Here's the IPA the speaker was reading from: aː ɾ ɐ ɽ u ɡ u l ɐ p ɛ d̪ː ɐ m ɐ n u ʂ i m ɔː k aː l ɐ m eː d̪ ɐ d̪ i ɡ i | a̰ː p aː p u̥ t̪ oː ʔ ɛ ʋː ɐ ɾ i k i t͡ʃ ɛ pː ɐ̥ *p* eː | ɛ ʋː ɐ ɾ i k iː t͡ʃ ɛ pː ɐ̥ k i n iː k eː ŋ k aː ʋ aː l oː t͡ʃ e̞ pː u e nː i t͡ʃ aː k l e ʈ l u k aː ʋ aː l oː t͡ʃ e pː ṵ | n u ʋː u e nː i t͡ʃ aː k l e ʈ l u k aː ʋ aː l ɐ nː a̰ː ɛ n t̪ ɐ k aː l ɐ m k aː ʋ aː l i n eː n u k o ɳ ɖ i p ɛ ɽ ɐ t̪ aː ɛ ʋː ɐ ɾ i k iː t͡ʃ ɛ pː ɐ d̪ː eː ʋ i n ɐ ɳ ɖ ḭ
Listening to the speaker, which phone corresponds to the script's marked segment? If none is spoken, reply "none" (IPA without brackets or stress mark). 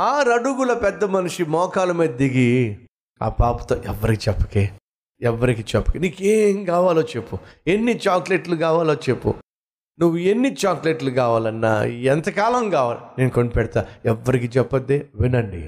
k